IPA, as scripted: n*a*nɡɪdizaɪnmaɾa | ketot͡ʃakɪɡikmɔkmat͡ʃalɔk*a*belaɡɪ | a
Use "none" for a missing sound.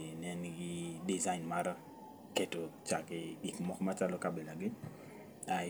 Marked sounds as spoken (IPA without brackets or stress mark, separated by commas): ɛ, a